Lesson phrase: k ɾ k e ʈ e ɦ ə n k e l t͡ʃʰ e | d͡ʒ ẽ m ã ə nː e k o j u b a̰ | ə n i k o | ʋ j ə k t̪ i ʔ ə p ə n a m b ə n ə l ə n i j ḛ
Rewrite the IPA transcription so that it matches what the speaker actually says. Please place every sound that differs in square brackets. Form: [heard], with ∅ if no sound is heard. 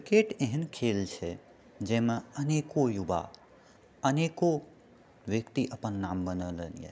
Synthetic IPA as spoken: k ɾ k e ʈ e ɦ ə n [kʰ] e l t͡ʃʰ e | d͡ʒ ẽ m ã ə [n] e k o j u b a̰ | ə n [e] k o | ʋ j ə k t̪ i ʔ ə p ə [nː] a m b ə n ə l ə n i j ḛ